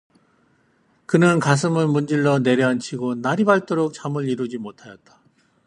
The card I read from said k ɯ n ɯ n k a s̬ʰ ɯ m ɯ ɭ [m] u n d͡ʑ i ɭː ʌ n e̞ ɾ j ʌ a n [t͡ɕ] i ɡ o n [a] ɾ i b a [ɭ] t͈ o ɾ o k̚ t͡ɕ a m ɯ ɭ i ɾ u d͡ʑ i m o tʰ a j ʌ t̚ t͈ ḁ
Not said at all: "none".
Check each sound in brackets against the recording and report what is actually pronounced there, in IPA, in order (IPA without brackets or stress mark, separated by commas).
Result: m, t͡ɕʰ, a, ɭ